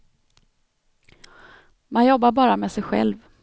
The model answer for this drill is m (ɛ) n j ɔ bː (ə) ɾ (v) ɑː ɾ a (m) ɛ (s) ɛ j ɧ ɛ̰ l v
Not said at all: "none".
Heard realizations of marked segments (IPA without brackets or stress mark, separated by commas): a, a, b, m, s